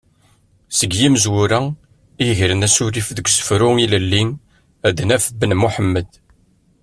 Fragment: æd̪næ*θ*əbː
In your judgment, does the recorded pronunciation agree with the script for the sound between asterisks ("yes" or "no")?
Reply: no